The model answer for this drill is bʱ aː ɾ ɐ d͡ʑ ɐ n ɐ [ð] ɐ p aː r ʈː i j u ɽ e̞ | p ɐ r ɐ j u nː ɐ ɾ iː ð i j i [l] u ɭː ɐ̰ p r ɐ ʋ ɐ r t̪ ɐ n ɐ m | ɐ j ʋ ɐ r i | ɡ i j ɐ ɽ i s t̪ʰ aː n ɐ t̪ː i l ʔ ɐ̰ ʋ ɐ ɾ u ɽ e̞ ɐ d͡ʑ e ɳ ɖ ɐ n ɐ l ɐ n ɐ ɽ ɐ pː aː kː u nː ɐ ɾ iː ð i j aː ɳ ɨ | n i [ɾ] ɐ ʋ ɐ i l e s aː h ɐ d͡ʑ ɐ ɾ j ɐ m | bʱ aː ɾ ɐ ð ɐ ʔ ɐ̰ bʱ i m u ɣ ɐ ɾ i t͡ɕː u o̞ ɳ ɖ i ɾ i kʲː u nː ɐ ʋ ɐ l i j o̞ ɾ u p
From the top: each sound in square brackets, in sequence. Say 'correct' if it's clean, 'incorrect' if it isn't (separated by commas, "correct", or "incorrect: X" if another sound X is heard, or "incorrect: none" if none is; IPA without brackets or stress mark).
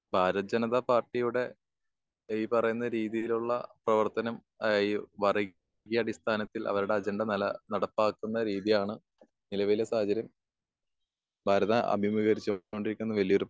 correct, correct, incorrect: l